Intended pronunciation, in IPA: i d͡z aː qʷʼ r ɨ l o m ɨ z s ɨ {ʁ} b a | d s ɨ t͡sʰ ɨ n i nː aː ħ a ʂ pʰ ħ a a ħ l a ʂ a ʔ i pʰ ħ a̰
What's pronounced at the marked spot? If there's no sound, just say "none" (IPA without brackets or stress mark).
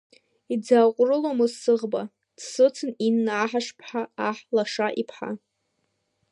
ʁ